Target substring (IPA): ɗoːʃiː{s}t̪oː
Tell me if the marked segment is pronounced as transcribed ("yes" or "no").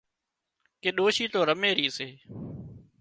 no